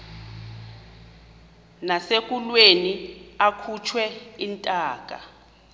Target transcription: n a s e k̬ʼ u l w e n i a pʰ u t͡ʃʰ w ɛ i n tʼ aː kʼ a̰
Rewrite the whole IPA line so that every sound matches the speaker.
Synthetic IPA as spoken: n a s e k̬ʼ u l w e n i a kʰ u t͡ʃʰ w ɛ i n tʼ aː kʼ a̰